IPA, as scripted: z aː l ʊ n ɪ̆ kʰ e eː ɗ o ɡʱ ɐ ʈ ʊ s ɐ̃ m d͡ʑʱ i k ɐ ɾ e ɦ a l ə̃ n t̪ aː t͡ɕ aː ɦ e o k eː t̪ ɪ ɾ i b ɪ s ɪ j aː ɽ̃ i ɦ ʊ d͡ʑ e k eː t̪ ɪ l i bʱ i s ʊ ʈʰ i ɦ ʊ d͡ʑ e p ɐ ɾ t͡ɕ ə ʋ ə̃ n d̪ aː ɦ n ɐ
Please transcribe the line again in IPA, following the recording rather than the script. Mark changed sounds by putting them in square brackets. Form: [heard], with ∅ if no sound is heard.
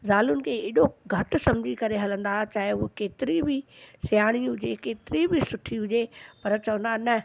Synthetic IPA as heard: z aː l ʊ n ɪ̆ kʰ e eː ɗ o ɡʱ ɐ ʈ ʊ s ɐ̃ m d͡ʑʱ i k ɐ ɾ e ɦ [ɐ] l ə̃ n [d̪] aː t͡ɕ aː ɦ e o k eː t̪ ɪ ɾ i b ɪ s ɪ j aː ɽ̃ i ɦ ʊ d͡ʑ e k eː t̪ ɪ [ɾ] i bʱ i s ʊ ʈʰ i ɦ ʊ d͡ʑ e p ɐ ɾ t͡ɕ [ɐ] ʋ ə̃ n d̪ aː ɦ n ɐ

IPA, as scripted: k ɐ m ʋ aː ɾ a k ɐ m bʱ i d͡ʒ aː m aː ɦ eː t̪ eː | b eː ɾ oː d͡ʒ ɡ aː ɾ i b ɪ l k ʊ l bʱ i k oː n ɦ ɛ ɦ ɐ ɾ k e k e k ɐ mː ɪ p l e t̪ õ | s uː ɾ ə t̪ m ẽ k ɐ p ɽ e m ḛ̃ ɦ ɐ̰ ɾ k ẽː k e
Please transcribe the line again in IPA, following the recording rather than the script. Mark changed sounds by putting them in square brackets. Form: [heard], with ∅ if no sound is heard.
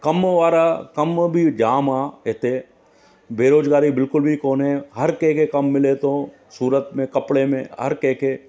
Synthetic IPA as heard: k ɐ m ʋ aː ɾ a k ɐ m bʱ i d͡ʒ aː m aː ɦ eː t̪ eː | b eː ɾ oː d͡ʒ ɡ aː ɾ i b ɪ l k ʊ l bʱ i k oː n ɦ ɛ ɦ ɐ ɾ k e k e k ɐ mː ɪ [∅] l e t̪ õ | s uː ɾ ə t̪ m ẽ k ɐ p ɽ e m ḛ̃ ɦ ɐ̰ ɾ k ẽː k e

